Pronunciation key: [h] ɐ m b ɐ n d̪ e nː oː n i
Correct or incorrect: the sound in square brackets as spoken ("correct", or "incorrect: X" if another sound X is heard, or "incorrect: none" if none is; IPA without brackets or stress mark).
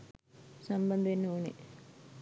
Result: incorrect: s